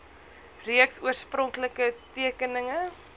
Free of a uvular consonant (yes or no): yes